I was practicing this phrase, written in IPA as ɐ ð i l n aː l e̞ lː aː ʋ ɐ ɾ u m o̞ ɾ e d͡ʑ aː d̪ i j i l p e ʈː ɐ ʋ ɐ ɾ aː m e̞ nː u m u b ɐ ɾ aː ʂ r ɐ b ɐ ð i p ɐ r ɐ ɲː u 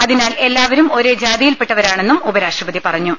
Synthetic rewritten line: ɐ ð i n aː l e̞ lː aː ʋ ɐ ɾ u m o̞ ɾ e d͡ʑ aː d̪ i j i l p e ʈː ɐ ʋ ɐ ɾ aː ɳ e̞ nː u m u b ɐ ɾ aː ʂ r ɐ b ɐ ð i p ɐ r ɐ ɲː u